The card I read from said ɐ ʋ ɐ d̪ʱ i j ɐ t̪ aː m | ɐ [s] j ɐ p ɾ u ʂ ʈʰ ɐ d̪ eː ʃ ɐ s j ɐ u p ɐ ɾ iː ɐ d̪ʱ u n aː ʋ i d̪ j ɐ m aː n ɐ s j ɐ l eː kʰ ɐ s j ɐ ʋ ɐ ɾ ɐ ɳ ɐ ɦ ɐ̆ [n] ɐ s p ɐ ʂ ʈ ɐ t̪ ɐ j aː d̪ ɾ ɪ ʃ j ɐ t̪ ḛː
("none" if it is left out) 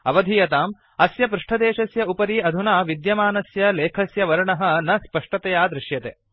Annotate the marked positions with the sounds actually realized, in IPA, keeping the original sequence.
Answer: s, n

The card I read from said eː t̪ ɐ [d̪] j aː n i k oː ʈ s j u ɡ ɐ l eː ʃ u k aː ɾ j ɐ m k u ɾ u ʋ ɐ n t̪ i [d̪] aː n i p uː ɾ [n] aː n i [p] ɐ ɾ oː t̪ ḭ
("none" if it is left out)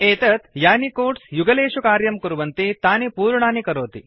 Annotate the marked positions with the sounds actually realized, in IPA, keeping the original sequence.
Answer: t̪, t̪, ɳ, k

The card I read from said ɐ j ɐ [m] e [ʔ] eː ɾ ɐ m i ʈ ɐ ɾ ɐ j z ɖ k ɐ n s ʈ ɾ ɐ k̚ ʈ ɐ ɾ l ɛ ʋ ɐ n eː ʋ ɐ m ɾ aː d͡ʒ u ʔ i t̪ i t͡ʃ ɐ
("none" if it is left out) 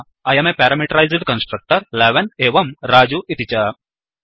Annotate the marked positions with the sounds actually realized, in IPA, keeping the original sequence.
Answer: m, p

